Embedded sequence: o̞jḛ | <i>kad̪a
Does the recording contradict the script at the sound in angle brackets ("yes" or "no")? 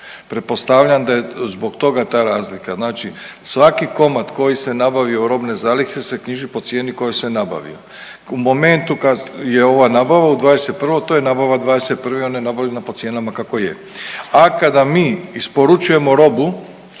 yes